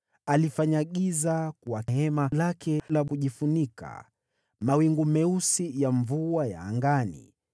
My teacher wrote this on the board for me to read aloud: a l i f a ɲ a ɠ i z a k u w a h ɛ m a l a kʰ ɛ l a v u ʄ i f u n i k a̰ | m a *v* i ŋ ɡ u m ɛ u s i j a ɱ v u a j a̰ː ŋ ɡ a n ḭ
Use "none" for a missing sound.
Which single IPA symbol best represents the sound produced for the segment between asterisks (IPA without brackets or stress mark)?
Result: w